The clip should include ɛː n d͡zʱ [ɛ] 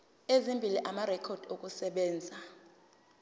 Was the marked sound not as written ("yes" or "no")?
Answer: yes